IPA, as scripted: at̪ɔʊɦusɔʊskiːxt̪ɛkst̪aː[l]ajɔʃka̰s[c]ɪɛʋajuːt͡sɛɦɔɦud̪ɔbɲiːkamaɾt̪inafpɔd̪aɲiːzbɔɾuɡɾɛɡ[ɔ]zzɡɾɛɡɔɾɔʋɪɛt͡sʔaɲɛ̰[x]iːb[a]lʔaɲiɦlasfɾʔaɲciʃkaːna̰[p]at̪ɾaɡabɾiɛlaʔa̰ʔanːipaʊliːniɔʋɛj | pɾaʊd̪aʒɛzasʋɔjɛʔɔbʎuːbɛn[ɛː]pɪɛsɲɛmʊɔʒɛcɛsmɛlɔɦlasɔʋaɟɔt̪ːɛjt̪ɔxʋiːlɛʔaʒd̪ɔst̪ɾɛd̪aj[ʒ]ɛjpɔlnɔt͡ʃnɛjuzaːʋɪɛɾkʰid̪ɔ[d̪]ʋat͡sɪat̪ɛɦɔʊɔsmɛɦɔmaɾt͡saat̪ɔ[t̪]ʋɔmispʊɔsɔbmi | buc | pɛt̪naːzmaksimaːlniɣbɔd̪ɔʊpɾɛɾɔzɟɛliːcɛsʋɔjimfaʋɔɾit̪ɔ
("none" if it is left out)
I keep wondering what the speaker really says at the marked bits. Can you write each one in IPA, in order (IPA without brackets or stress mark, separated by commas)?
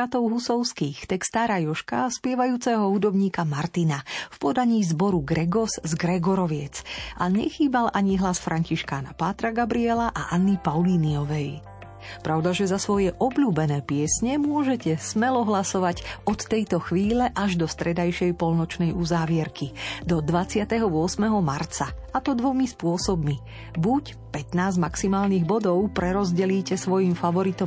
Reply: ɾ, p, ɔ, x, a, p, ɛː, ʃ, d̪, d̪